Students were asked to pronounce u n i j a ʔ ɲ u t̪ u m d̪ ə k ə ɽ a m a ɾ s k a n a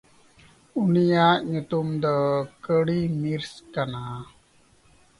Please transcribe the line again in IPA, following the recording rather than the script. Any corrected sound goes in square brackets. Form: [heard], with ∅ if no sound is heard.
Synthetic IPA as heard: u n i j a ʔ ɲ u t̪ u m d̪ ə k ə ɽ [i] m [i] ɾ s k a n a